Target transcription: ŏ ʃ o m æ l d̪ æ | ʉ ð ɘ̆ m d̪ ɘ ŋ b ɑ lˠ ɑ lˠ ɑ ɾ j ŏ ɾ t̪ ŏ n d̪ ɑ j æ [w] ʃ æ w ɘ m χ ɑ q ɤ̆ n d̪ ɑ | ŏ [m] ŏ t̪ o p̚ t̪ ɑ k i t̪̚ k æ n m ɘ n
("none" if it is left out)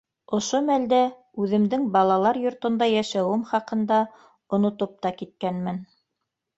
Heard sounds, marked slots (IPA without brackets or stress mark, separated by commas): none, n